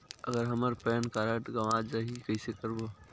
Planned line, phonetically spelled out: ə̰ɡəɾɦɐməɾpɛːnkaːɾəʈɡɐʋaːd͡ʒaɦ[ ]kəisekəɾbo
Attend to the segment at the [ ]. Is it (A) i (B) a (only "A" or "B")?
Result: A